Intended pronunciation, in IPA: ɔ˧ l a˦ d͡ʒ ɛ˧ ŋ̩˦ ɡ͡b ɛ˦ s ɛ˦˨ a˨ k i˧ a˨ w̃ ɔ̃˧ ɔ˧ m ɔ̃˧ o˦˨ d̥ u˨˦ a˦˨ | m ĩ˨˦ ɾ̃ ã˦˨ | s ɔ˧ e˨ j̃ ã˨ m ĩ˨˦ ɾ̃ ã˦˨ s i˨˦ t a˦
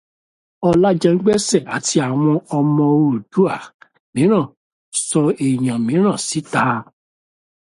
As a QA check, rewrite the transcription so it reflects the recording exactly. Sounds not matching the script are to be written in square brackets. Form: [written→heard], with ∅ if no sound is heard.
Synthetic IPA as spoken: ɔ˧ l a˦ d͡ʒ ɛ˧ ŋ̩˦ ɡ͡b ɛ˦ s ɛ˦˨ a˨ [k→t] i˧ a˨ w̃ ɔ̃˧ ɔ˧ m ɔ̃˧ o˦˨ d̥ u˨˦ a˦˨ | m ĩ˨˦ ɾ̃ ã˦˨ | s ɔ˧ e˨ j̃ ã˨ m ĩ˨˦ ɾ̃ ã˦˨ s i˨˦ t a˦